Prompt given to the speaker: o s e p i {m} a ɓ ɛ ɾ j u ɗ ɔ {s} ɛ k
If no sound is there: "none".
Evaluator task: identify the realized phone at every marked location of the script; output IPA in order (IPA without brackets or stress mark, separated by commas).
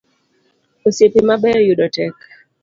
m, t